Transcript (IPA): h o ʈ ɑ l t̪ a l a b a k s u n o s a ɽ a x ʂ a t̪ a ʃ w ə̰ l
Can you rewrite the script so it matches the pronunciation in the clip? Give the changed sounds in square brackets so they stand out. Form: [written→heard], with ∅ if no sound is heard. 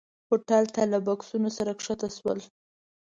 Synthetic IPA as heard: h o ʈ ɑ l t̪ a l a b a k s u n o s a [ɽ→ɾ] a [x→k] ʂ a t̪ a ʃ w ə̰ l